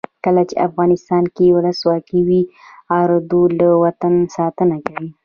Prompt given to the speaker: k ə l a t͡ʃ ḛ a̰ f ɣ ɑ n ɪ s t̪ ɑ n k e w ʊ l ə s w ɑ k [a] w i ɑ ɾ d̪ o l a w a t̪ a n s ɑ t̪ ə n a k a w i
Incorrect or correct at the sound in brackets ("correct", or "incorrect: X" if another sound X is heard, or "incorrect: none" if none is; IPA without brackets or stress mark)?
incorrect: i